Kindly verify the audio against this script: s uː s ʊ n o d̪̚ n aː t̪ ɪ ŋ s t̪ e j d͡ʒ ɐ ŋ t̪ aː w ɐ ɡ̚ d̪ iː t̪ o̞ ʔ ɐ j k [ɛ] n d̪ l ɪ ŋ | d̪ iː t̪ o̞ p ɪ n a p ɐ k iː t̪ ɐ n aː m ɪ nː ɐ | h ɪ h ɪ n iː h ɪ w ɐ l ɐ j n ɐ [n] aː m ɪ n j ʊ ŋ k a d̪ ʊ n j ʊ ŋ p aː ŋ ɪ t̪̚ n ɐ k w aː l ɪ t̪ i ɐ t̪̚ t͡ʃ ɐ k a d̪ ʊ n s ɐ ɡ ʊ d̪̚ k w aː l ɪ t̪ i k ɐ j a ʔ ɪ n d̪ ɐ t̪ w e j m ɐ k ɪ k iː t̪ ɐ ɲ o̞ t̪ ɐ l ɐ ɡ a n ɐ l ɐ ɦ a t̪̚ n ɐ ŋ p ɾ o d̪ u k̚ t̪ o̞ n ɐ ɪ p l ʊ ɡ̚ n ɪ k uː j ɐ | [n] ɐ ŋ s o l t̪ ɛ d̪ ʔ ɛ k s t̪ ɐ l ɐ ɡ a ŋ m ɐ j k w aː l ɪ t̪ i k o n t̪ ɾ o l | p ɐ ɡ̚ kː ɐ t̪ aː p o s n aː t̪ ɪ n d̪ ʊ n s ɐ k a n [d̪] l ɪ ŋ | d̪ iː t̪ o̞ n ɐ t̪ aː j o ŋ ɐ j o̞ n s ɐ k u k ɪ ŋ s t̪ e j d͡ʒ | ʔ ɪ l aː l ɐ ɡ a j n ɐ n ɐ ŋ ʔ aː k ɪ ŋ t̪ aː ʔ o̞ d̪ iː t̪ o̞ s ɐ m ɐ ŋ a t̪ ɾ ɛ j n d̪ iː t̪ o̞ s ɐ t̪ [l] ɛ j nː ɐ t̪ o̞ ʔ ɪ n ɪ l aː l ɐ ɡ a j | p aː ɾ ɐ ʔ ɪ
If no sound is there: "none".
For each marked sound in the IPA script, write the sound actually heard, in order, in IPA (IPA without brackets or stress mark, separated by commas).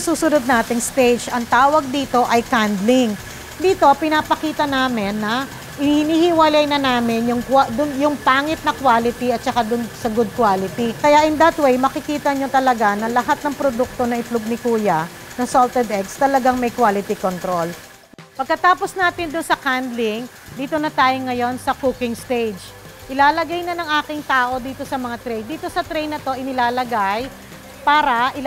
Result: a, n, n, d̪, ɾ